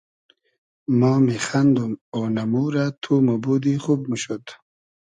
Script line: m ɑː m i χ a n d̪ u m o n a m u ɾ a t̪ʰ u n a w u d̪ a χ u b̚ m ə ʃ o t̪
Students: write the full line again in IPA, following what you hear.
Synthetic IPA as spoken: m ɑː m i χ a n d̪ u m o n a m u ɾ a t̪ʰ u m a b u d̪ i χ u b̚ m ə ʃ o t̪